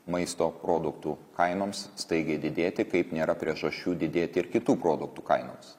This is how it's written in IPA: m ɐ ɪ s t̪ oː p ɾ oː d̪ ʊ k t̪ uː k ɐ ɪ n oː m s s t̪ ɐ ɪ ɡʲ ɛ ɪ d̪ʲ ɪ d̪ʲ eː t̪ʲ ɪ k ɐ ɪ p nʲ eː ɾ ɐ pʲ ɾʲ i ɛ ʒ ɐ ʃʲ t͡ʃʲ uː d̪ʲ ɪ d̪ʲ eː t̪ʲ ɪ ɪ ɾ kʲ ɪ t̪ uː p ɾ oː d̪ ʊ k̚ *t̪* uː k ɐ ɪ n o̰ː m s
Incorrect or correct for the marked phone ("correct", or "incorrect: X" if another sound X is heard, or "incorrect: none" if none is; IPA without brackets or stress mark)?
correct